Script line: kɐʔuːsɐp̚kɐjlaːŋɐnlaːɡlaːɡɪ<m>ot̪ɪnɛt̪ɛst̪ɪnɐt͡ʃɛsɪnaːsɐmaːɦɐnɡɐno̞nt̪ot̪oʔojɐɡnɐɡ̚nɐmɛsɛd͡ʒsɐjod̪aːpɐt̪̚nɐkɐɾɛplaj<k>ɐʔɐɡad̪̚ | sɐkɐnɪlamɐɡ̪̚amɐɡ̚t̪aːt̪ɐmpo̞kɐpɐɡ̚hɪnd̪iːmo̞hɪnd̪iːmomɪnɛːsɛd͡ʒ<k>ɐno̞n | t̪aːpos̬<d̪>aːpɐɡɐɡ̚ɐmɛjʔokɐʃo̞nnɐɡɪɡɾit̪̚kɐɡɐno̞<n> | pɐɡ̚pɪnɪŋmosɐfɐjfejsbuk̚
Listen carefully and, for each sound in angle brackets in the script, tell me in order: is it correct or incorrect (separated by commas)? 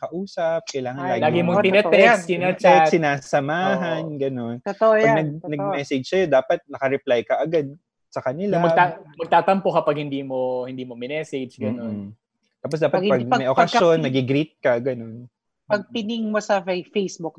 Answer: correct, correct, incorrect, correct, correct